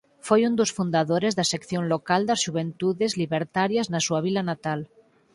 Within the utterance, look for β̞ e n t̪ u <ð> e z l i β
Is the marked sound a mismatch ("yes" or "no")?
no